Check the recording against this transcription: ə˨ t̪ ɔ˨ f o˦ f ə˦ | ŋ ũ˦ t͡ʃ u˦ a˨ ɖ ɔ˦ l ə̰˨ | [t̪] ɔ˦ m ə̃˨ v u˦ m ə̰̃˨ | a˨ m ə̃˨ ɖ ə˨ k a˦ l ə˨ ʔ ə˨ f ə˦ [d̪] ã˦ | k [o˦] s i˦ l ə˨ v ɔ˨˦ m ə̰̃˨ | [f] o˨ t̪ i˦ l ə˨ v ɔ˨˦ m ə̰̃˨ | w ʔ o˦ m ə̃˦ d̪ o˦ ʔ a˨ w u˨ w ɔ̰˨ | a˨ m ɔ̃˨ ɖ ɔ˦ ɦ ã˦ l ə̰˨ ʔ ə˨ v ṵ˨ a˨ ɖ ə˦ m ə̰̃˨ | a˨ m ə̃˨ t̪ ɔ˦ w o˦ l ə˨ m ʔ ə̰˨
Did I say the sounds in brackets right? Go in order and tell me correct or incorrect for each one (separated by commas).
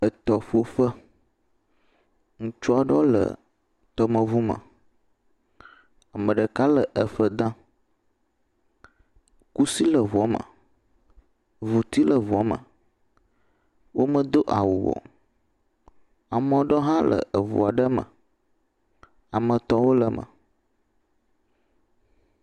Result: correct, correct, incorrect, incorrect